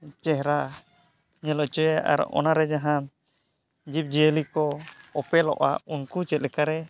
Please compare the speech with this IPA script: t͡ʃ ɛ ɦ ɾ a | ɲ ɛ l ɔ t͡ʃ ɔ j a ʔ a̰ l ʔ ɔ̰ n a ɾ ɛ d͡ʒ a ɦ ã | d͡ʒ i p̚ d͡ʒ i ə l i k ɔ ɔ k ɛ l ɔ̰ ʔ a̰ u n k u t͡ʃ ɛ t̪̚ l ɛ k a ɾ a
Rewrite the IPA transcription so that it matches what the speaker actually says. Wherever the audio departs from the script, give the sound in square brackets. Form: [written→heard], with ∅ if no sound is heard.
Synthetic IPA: t͡ʃ ɛ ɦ ɾ a | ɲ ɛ l ɔ t͡ʃ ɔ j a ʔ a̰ [l→ɾ] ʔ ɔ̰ n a ɾ ɛ d͡ʒ a ɦ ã | d͡ʒ i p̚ d͡ʒ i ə l i k ɔ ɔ [k→p] ɛ l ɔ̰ ʔ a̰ u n k u t͡ʃ ɛ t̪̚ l ɛ k a ɾ [a→ɛ]

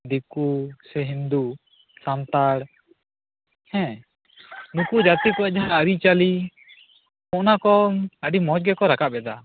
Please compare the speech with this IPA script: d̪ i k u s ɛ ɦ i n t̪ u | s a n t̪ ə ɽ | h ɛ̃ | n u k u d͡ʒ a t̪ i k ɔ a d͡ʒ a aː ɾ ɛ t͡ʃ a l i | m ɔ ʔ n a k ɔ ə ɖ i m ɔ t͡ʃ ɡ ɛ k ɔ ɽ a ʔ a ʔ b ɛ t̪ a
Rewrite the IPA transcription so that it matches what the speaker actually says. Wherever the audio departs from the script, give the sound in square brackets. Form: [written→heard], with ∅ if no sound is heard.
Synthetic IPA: d̪ i k u s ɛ ɦ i n [t̪→d̪] u | s a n t̪ [ə→a] ɽ | h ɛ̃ | n u k u d͡ʒ a t̪ i k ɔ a d͡ʒ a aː ɾ [ɛ→i] t͡ʃ a l i | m ɔ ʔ n a k ɔ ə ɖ i m ɔ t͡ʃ ɡ ɛ k ɔ [ɽ→ɾ] a [ʔ→k] a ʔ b ɛ [t̪→d̪] a

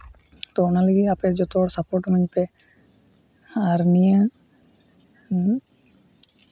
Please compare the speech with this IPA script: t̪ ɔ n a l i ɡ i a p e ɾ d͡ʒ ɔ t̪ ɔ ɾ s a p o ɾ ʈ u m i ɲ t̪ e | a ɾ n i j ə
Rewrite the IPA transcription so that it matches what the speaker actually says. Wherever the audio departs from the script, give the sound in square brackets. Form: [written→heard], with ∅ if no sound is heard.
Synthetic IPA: t̪ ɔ n a l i ɡ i a p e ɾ d͡ʒ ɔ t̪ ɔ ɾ s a p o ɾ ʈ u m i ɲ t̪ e | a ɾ n i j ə

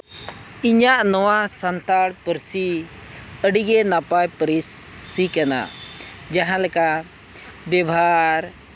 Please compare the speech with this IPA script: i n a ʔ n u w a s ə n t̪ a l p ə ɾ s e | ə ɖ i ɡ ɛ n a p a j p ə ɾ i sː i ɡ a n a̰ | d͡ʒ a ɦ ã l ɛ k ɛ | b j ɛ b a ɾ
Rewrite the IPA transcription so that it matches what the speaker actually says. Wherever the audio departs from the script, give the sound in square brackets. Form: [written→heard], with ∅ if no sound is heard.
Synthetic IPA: i [n→ɲ] a ʔ n [u→ɔ] w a s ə n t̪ a [l→ɽ] p ə ɾ s [e→i] | ə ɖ i ɡ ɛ n a p a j p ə ɾ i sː i [ɡ→k] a n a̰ | d͡ʒ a ɦ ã l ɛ k [ɛ→a] | b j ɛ b a ɾ

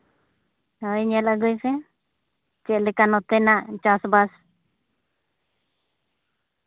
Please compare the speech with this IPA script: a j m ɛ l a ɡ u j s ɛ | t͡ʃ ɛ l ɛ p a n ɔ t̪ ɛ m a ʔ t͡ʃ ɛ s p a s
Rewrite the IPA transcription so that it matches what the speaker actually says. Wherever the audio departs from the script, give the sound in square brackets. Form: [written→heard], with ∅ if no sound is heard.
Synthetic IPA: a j [m→ɲ] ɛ l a ɡ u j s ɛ | t͡ʃ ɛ l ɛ [p→k] a n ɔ t̪ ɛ [m→n] a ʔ t͡ʃ [ɛ→a] s [p→b] a s

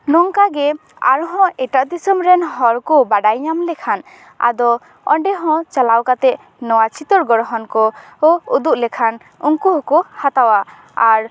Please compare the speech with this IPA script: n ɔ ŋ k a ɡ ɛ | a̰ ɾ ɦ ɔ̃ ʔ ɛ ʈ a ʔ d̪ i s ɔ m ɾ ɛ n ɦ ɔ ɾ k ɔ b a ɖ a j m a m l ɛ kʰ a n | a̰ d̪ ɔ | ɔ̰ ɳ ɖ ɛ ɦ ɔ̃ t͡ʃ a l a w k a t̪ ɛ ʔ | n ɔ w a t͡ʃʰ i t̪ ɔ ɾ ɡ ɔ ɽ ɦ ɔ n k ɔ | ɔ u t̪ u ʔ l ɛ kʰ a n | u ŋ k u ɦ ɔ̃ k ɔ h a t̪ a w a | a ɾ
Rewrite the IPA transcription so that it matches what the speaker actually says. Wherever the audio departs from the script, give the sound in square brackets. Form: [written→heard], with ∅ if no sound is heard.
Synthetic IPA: n ɔ ŋ k a ɡ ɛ | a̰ ɾ ɦ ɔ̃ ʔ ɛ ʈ a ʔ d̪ i s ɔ m ɾ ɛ n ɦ ɔ ɾ k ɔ b a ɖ a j [m→ɲ] a m l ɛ kʰ a n | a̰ d̪ ɔ | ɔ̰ ɳ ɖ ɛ ɦ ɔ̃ t͡ʃ a l a w k a t̪ ɛ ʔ | n ɔ w a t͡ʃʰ i t̪ ɔ ɾ ɡ ɔ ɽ ɦ ɔ n k ɔ | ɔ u [t̪→d̪] u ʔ l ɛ kʰ a n | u ŋ k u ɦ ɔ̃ k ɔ h a t̪ a w a | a ɾ

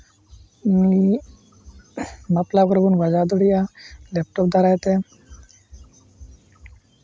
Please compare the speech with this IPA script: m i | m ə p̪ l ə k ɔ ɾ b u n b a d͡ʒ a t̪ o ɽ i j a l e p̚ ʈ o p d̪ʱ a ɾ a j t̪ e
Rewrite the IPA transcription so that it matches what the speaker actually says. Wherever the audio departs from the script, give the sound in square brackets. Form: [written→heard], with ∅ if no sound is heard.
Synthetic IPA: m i | m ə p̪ l [ə→a] k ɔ ɾ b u n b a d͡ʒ a [t̪→d̪] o ɽ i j a l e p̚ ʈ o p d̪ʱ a ɾ a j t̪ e

